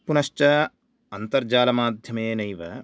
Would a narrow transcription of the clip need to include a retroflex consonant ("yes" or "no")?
no